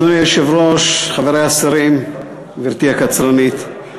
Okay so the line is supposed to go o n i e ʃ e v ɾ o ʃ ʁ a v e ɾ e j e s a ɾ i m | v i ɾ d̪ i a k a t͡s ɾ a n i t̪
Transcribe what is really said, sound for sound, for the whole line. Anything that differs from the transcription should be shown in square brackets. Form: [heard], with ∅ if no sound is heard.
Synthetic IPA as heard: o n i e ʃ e v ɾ o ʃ [χ] a v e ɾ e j [a] s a ɾ i m | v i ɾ [t̪] i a k a t͡s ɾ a n i t̪